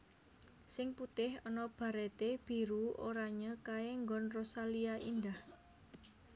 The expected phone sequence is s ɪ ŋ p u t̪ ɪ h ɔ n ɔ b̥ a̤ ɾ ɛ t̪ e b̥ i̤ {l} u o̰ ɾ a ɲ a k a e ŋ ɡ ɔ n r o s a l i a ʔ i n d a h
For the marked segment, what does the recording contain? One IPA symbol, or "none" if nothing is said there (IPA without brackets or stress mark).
ɾ